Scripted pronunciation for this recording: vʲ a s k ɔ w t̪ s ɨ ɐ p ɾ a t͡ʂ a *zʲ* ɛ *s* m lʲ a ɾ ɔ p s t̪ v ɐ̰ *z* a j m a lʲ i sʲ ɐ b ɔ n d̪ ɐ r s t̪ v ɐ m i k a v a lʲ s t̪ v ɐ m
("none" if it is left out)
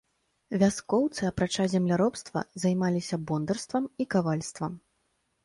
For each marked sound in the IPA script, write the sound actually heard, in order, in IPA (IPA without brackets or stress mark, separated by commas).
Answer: zʲ, none, z